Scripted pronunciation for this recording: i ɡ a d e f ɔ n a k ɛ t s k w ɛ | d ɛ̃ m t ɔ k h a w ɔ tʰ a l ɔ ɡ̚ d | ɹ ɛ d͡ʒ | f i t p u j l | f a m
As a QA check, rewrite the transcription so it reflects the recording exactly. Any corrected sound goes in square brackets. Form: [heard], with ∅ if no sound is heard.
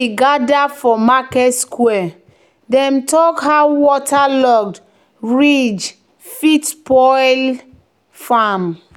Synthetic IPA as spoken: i ɡ a d [a] f ɔ [m] a k ɛ t s k w ɛ | d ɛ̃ m t ɔ k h a w ɔ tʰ a l ɔ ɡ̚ d | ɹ [i] d͡ʒ | f i t p [ɔ] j l | f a m